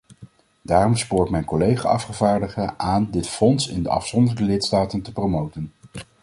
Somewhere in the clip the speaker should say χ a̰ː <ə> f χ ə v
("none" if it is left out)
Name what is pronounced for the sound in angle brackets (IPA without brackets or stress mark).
ɑ